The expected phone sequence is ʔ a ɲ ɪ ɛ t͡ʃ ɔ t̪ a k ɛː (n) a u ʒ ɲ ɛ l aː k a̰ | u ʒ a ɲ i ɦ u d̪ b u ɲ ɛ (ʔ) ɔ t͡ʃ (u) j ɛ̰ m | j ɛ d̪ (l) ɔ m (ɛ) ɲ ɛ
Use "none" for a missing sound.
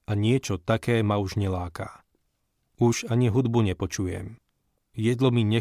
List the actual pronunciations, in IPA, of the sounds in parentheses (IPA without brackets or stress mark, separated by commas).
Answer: m, p, u, l, i